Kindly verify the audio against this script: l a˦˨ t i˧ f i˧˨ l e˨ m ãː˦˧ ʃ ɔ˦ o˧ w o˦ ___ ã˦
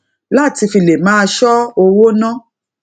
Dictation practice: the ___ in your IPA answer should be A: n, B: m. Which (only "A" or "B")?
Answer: A